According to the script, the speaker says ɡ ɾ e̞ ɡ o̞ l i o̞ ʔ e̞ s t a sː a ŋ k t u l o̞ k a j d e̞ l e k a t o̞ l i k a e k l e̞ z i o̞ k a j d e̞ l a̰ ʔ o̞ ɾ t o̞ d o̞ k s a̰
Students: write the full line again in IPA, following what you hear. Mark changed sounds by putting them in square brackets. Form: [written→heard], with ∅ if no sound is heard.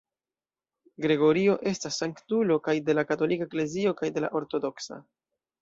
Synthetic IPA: ɡ ɾ e̞ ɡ o̞ [l→ɾ] i o̞ ʔ e̞ s t a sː a ŋ k t u l o̞ k a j d e̞ l [e→a] k a t o̞ l i k a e k l e̞ z i o̞ k a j d e̞ l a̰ ʔ o̞ ɾ t o̞ d o̞ k s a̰